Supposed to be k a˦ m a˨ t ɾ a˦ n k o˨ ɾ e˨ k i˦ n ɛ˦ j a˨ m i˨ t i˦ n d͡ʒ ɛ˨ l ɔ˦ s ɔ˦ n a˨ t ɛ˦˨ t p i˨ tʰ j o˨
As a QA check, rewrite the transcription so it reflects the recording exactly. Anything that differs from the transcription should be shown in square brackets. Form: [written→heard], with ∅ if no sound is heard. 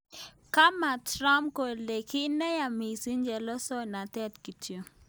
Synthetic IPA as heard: k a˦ m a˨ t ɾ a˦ [n→m] k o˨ [ɾ→l] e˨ k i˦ n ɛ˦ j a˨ m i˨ [t→s] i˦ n d͡ʒ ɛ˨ l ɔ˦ s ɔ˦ n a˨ t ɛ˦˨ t [p→k] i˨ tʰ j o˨